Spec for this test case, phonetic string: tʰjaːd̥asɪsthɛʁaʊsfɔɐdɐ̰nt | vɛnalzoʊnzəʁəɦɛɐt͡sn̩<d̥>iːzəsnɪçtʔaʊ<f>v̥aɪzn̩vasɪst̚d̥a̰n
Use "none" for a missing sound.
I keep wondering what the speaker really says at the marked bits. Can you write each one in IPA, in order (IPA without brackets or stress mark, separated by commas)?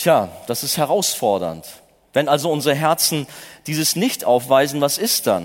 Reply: d̥, f